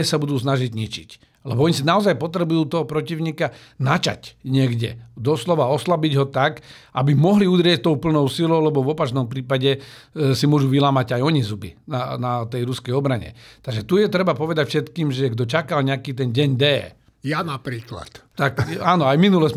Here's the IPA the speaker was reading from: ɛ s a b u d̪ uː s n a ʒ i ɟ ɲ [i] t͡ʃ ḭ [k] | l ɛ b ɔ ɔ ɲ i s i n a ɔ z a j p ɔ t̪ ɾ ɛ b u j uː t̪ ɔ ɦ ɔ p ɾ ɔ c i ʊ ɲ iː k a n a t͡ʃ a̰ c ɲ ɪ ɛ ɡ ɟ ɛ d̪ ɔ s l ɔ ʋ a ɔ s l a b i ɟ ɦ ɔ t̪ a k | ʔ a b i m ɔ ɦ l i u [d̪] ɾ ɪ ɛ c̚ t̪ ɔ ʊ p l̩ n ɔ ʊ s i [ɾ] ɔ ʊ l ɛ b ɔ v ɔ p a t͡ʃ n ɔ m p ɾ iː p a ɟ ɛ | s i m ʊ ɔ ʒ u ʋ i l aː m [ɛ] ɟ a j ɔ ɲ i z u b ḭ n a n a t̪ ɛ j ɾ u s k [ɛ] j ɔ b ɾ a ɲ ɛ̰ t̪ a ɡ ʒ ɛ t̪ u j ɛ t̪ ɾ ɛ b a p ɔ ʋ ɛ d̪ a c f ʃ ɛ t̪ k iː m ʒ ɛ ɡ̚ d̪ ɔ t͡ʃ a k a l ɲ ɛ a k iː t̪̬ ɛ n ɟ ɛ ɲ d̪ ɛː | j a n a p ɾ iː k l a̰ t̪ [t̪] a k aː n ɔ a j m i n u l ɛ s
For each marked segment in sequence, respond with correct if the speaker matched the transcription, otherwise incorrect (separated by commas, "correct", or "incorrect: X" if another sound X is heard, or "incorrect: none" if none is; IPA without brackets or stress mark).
correct, incorrect: c, correct, incorrect: l, incorrect: a, correct, correct